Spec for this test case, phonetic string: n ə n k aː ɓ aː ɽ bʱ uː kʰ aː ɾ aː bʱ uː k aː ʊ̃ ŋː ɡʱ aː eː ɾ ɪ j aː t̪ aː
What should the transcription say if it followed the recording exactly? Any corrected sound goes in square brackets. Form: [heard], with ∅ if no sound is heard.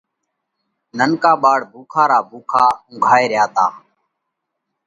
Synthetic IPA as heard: n ə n k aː ɓ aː ɽ bʱ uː kʰ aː ɾ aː bʱ uː [kʰ] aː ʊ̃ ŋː ɡʱ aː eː ɾ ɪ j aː t̪ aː